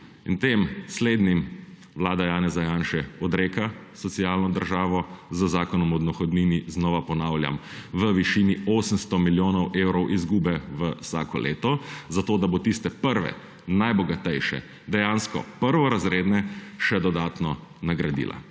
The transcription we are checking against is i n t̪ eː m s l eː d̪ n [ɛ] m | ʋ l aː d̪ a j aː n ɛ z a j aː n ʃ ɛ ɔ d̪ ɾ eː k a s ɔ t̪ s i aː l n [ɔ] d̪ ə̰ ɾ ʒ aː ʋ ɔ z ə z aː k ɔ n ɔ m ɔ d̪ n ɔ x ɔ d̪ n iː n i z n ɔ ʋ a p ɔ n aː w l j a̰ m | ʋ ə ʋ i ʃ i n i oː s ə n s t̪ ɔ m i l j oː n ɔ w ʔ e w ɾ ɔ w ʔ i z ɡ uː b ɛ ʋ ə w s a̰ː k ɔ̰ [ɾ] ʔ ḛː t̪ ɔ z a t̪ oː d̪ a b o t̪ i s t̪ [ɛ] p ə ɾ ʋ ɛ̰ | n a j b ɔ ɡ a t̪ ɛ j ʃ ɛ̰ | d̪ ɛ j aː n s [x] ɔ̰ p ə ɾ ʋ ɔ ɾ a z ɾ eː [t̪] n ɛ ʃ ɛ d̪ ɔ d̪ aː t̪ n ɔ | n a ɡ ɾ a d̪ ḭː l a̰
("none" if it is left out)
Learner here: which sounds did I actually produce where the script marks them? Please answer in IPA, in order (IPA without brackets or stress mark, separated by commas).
i, ɔ, l, ɛ, k, d̪